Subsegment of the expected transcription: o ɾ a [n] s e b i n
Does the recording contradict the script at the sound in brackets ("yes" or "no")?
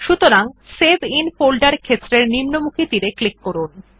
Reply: yes